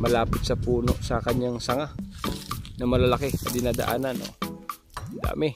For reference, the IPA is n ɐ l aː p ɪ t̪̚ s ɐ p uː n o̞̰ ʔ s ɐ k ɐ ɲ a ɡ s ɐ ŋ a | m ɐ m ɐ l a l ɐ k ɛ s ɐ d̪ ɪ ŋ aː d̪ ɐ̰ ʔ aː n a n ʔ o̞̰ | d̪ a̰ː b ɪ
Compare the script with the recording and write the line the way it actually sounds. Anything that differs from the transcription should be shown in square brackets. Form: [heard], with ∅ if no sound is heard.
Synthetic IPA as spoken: [m] ɐ l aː p ɪ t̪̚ s ɐ p uː n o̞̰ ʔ s ɐ k ɐ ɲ a [ŋ] s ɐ ŋ a | [n] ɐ m ɐ l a l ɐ k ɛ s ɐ d̪ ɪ [n] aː d̪ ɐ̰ ʔ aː n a n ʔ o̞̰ | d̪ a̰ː [m] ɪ